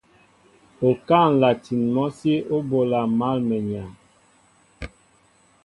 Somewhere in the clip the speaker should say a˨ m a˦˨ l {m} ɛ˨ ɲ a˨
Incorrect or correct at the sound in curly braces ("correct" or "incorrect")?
correct